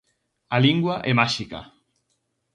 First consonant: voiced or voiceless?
voiced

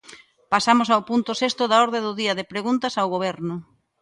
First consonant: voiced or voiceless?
voiceless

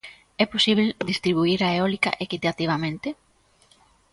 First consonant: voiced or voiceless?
voiceless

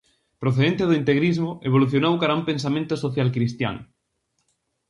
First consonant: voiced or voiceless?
voiceless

